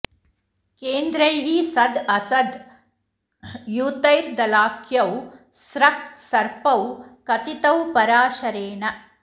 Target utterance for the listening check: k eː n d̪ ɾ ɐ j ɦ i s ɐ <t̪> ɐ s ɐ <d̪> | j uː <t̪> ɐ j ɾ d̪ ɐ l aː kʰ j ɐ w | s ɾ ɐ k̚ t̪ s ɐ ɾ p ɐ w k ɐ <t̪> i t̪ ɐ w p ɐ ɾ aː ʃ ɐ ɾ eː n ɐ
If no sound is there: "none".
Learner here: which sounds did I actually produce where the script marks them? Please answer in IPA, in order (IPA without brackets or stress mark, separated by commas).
d̪, d̪, t̪, t̪